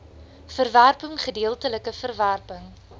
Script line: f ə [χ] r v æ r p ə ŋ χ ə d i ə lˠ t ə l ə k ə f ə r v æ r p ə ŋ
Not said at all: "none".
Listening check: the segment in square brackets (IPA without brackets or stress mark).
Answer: none